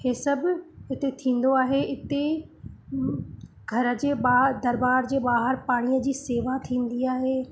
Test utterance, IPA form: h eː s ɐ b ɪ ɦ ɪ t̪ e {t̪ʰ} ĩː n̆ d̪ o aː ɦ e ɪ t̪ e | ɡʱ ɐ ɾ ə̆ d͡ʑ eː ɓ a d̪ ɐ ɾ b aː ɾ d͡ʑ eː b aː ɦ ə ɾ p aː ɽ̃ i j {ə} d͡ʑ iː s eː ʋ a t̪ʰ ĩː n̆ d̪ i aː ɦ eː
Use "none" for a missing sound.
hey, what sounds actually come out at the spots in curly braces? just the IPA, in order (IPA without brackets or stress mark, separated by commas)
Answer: t̪ʰ, ə